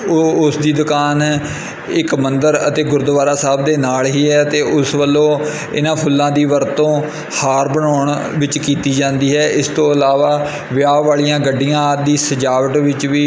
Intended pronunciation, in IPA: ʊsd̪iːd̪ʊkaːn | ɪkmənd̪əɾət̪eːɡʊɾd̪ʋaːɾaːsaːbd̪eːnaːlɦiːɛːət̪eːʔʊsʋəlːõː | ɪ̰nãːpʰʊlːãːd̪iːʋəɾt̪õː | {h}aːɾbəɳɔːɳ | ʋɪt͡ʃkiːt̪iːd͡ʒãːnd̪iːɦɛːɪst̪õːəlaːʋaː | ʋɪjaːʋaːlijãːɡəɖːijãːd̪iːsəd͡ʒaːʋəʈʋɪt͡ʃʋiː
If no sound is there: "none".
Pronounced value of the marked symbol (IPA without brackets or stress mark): h